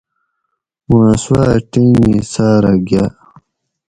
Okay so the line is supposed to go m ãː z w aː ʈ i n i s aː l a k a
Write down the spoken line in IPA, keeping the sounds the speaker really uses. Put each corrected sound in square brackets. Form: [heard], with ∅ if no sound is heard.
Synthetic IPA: m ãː [s] w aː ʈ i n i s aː [ɾ] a [ɡ] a